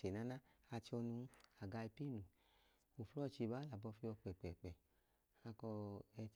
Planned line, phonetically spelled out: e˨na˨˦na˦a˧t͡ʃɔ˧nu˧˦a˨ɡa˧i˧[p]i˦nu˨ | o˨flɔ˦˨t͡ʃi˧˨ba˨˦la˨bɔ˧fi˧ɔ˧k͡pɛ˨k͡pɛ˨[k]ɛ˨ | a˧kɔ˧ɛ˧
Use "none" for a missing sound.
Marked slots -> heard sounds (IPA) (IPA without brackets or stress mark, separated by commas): p, k͡p